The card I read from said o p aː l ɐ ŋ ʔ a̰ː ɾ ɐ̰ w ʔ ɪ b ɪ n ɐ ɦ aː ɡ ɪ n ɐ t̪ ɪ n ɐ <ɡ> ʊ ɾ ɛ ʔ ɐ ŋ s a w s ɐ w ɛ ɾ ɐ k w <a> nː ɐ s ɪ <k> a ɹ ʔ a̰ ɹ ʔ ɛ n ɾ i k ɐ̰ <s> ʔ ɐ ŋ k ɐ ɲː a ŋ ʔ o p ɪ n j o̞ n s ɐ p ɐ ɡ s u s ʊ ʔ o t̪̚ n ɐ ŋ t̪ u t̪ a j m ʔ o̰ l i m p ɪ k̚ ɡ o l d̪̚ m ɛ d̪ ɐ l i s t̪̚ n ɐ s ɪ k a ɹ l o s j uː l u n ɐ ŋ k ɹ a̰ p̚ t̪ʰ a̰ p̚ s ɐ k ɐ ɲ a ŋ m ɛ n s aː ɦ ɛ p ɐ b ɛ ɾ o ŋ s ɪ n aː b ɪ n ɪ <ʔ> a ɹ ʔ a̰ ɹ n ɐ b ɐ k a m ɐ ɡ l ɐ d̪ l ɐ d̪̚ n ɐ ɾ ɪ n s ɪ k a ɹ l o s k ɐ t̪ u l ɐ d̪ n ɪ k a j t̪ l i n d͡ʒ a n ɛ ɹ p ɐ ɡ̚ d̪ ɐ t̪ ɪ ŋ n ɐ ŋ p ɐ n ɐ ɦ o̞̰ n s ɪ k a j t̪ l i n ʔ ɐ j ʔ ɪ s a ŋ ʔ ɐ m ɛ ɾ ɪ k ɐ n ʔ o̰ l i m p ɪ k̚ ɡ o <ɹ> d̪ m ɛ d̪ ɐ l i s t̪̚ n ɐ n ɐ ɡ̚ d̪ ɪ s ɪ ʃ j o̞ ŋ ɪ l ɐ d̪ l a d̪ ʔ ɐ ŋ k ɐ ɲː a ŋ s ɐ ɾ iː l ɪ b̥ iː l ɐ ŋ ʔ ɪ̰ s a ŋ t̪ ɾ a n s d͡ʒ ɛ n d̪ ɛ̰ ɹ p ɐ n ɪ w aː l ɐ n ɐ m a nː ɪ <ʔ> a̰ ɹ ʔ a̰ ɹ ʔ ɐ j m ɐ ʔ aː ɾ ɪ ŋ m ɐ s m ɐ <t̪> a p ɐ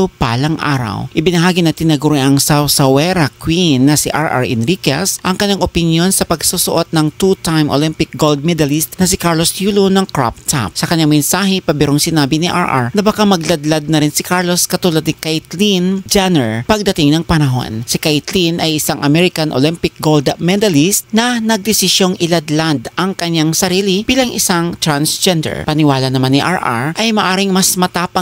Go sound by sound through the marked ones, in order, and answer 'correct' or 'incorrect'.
correct, incorrect, incorrect, correct, correct, incorrect, correct, correct

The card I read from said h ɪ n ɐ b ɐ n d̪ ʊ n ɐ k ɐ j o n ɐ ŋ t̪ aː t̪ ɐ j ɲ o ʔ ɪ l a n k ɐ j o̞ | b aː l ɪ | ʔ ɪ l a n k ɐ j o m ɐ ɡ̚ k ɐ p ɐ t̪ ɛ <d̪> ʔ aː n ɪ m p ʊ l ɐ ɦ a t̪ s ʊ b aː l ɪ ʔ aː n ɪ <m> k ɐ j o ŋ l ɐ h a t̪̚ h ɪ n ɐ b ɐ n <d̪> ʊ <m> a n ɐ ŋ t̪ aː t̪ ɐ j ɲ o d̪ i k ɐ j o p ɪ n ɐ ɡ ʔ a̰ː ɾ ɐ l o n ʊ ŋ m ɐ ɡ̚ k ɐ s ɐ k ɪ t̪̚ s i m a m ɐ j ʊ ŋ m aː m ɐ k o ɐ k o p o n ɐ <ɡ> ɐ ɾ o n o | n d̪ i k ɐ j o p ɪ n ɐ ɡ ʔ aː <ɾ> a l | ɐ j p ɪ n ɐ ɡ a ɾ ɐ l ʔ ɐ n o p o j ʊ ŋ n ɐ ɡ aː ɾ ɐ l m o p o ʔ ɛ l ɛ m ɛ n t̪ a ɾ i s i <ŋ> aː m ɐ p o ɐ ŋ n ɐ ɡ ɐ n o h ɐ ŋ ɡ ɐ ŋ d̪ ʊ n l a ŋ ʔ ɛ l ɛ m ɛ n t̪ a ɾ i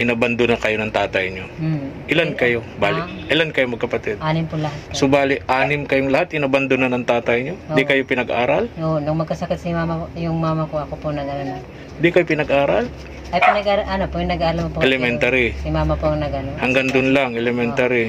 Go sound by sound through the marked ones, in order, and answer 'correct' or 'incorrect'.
correct, correct, correct, incorrect, correct, correct, incorrect

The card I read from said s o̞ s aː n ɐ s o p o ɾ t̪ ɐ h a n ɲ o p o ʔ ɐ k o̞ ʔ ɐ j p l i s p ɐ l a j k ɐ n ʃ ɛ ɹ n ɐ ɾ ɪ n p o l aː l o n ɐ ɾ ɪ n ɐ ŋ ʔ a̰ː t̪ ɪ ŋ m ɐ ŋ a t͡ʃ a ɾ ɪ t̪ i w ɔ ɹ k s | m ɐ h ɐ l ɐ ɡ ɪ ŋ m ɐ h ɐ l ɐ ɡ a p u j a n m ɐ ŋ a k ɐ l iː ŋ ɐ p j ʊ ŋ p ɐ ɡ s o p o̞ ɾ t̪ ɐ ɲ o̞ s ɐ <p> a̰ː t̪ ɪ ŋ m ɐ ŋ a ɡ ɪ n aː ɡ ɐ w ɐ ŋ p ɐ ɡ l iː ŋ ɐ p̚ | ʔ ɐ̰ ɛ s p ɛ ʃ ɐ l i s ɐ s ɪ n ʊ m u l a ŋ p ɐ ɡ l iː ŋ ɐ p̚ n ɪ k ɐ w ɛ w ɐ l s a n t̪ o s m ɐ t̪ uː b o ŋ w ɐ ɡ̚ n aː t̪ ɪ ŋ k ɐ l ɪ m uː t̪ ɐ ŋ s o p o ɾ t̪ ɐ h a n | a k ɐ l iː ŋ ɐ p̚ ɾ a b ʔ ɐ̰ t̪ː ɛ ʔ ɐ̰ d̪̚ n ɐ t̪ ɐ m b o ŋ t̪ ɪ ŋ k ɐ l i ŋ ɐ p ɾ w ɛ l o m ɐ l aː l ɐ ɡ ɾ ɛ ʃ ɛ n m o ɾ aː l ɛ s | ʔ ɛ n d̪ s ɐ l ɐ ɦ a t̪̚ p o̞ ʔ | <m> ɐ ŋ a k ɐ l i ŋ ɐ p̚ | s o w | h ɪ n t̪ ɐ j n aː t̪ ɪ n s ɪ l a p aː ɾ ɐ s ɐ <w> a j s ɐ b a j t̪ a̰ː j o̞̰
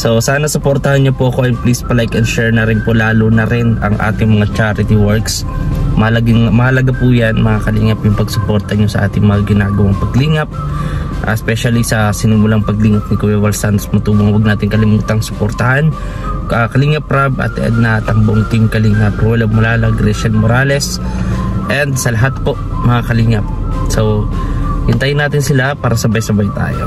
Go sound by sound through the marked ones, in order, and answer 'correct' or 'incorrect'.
incorrect, correct, incorrect

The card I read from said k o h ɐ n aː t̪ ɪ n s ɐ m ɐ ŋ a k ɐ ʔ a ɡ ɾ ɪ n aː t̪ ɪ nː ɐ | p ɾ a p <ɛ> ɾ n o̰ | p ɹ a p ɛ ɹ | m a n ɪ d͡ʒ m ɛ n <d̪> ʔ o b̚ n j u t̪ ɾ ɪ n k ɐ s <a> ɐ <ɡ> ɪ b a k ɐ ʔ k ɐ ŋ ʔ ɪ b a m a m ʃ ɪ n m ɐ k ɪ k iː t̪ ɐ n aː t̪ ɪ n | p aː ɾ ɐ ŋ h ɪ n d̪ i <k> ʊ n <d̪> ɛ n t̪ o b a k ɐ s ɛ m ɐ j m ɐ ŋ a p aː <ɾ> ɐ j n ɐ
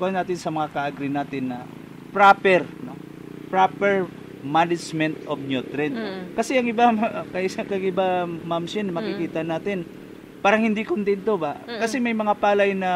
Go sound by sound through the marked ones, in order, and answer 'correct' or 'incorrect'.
correct, incorrect, incorrect, incorrect, correct, incorrect, incorrect

